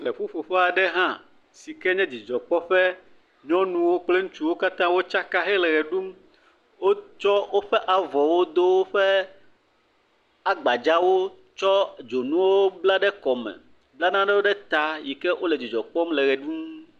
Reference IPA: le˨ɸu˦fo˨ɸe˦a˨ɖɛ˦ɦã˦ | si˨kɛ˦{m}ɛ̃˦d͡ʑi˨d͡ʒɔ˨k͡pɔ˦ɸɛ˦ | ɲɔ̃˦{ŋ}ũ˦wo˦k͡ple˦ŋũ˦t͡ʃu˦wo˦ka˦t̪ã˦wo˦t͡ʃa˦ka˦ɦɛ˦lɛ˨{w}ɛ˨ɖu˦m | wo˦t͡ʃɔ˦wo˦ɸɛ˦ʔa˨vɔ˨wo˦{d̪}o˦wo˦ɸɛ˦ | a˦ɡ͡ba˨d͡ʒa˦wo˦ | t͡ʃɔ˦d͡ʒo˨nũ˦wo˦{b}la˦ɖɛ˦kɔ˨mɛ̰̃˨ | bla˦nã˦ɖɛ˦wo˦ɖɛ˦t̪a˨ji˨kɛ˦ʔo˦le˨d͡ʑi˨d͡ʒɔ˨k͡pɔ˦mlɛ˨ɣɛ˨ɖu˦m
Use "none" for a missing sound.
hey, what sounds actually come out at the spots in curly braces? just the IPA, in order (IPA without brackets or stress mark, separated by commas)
ɲ, n, ɣ, d̪, b